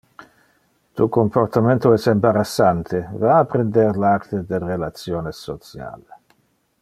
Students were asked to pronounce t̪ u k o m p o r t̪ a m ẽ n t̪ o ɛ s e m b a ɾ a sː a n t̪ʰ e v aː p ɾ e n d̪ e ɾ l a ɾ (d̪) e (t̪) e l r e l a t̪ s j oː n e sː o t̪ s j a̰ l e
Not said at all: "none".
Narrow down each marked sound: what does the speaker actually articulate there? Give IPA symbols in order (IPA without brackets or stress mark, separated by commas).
t̪, d̪